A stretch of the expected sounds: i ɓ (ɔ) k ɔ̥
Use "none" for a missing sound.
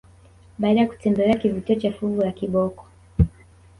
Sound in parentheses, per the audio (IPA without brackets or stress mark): ɔ